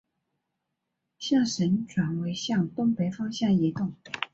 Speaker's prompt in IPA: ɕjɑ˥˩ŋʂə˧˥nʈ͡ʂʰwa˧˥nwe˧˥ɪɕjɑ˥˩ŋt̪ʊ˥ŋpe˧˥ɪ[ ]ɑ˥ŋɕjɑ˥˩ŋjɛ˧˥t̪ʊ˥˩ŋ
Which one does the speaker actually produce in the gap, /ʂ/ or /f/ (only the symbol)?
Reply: f